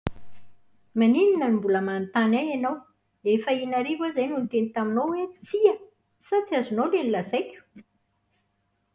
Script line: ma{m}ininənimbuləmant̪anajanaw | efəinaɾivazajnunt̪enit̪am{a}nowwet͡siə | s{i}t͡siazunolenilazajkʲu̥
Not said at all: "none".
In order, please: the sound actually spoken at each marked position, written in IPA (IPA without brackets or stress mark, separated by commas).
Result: n, i, a